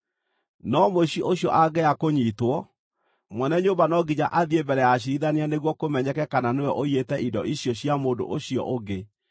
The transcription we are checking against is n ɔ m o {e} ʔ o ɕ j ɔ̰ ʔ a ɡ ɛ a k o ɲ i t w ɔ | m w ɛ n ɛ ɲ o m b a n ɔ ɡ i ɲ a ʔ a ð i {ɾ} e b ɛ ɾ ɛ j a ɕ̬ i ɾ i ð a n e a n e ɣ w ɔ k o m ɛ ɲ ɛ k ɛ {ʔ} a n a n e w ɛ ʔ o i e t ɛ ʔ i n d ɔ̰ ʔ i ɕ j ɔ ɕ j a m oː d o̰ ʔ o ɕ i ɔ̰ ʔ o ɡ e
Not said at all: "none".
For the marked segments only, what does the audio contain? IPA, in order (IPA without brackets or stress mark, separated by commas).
i, none, k